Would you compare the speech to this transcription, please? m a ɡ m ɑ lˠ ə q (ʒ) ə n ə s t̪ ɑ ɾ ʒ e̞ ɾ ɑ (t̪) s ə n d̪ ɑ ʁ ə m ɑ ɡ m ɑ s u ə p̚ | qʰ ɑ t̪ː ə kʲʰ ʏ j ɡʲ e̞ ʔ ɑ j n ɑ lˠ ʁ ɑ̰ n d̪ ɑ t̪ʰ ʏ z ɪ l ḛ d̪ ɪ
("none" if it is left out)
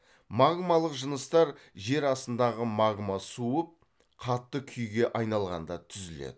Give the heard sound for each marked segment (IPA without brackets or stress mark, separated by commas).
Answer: ʒ, none